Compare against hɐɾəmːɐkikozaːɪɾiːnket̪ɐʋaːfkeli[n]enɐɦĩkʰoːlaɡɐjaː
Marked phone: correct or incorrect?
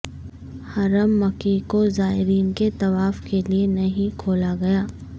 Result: incorrect: none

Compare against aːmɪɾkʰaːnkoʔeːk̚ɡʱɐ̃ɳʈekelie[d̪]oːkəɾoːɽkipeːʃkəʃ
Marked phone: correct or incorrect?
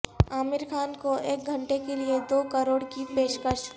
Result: correct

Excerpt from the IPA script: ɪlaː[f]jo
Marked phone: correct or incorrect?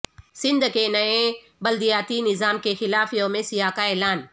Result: correct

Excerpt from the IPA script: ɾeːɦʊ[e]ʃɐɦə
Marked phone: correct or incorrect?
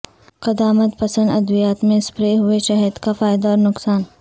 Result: correct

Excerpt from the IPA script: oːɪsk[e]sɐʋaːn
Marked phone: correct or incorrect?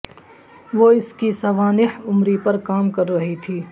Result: incorrect: i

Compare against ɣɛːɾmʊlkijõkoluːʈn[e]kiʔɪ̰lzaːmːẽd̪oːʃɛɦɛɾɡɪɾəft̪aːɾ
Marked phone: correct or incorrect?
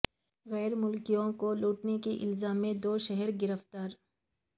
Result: correct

